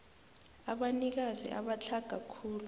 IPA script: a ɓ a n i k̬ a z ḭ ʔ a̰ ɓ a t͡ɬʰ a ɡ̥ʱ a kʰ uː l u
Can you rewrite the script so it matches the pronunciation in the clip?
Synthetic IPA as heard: a ɓ a n i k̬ a z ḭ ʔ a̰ ɓ a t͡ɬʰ a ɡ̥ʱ a kʰ uː l u